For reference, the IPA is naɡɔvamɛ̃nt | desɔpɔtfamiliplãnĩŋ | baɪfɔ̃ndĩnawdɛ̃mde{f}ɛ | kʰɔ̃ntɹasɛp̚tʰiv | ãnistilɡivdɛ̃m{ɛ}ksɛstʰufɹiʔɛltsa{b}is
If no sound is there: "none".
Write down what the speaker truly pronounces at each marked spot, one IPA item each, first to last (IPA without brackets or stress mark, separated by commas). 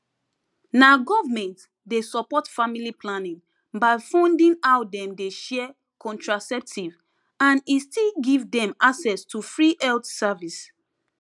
ʃ, a, v